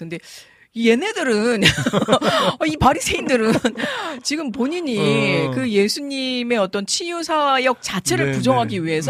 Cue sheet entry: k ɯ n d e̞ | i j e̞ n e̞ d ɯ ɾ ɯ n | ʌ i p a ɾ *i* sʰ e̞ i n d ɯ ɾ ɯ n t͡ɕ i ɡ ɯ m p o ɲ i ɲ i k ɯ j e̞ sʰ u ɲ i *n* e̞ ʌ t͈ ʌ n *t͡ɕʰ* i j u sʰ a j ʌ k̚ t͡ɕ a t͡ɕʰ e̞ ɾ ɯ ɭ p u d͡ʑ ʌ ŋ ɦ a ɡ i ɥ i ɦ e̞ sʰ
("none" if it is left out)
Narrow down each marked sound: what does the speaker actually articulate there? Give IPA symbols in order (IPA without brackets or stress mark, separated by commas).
i, m, t͡ɕʰ